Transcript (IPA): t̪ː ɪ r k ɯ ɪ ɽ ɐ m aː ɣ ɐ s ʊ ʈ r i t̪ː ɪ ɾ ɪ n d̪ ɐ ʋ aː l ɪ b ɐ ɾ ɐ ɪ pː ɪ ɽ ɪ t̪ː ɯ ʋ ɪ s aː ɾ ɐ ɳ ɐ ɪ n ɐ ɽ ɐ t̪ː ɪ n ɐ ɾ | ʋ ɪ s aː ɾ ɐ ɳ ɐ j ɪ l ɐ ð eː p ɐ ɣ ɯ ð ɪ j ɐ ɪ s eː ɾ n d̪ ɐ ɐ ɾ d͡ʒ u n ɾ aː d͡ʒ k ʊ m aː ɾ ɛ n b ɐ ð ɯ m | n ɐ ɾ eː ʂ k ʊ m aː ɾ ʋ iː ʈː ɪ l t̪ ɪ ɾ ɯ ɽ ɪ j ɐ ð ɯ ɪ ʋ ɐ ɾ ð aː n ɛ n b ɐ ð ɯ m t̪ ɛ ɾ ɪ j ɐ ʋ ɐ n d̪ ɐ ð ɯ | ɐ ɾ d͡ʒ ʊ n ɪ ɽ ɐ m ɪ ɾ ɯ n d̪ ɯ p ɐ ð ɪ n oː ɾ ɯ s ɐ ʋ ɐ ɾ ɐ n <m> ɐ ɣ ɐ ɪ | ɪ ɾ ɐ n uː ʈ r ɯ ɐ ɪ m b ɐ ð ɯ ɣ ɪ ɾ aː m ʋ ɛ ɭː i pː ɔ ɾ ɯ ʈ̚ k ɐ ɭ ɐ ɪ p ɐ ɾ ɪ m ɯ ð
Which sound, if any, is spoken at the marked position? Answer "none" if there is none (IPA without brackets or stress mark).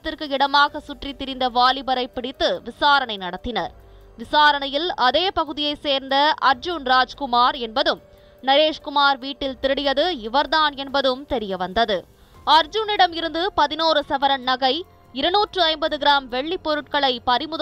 n